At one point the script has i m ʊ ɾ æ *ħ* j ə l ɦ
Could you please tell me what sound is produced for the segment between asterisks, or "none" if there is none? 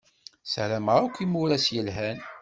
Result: s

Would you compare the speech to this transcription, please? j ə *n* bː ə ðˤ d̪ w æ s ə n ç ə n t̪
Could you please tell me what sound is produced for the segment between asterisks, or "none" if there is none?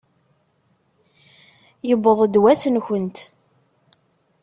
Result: none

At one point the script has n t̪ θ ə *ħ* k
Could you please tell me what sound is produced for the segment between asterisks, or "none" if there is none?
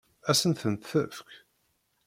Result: f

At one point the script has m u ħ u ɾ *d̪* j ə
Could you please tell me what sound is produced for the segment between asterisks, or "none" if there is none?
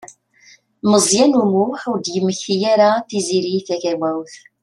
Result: d̪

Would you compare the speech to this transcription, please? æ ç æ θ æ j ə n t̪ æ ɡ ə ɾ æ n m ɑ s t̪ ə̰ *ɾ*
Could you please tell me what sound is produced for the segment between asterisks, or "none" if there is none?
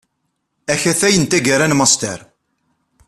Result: ɾ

